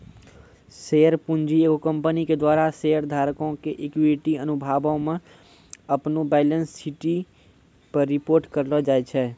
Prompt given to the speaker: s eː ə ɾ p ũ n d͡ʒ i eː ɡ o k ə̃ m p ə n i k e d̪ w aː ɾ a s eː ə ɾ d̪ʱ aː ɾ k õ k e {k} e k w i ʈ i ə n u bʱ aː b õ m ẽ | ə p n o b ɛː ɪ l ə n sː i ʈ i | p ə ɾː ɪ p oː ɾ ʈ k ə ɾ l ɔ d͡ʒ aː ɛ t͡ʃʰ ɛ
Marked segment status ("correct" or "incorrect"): incorrect